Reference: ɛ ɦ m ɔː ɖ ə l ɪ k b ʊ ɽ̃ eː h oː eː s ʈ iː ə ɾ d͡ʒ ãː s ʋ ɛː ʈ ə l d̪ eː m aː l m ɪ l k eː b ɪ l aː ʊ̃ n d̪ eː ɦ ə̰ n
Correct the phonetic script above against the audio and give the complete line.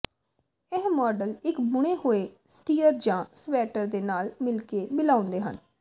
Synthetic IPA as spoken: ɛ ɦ m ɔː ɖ ə l ɪ k b ʊ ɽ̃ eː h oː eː s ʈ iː ə ɾ d͡ʒ ãː s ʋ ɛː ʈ ə ɾ d̪ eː n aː l m ɪ l k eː b ɪ l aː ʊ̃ n d̪ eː ɦ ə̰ n

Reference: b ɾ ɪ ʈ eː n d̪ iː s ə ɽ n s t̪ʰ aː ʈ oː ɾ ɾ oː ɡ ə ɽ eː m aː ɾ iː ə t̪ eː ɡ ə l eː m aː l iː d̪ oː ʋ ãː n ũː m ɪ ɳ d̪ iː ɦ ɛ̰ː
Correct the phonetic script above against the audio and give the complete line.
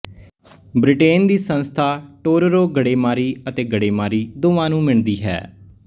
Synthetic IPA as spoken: b ɾ ɪ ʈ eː n d̪ iː s ə n s t̪ʰ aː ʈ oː ɾ ɾ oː ɡ ə ɽ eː m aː ɾ iː ə t̪ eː ɡ ə ɽ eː m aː ɾ iː d̪ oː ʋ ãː n ũː m ɪ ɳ d̪ iː ɦ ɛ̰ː

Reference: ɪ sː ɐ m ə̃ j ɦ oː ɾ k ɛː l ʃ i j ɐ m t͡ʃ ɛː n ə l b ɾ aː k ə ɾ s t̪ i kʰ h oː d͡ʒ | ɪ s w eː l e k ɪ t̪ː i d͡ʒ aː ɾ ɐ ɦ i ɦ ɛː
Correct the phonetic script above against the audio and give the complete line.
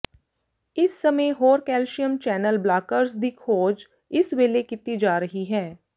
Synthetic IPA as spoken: ɪ sː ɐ m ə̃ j ɦ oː ɾ k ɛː l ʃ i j ə m t͡ʃ ɛː n ə l b l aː k ə ɾ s d̪ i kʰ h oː d͡ʒ | ɪ s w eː l e k ɪ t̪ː i d͡ʒ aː ɾ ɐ ɦ i ɦ ɛː

